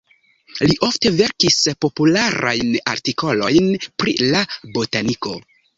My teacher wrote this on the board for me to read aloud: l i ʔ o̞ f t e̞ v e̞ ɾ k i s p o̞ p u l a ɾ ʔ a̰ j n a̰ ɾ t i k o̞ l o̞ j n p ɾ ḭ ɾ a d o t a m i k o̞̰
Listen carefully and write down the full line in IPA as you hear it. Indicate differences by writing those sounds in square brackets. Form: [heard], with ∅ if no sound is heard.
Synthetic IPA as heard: l i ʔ o̞ f t e̞ v e̞ ɾ k i s p o̞ p u l a ɾ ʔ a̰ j n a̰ ɾ t i k o̞ l o̞ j n p ɾ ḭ [l] a [b] o t a [n] i k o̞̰